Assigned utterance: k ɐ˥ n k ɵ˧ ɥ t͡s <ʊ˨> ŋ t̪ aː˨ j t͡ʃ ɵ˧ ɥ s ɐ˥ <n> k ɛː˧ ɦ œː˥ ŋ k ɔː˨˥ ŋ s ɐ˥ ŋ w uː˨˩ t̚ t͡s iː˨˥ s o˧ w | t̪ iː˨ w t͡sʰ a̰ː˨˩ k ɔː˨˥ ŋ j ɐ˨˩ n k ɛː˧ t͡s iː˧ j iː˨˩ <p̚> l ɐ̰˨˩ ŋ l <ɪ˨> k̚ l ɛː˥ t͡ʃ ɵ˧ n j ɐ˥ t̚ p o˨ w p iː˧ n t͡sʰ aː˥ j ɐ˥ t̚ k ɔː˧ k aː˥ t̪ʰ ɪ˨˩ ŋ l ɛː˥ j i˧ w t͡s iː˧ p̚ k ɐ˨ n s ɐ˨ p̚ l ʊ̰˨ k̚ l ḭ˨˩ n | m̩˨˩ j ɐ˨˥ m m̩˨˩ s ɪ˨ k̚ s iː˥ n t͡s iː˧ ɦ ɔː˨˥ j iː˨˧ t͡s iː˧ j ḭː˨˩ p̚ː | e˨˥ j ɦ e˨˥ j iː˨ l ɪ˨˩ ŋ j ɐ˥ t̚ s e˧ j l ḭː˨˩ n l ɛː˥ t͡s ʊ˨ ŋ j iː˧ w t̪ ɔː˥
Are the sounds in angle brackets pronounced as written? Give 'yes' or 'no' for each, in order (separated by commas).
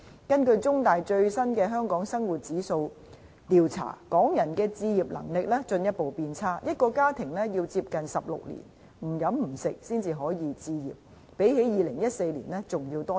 no, yes, yes, yes